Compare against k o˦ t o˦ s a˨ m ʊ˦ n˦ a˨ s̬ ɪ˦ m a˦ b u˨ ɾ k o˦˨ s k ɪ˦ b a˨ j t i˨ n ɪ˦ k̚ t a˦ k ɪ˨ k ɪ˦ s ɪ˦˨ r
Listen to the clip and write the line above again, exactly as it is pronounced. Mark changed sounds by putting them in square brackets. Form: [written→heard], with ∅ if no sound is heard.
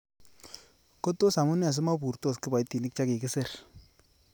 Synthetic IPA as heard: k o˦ t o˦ s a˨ m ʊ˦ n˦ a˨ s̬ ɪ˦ m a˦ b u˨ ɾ [k→t] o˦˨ s k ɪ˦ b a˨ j t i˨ n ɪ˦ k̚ [t→t͡ʃ] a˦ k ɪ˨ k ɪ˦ s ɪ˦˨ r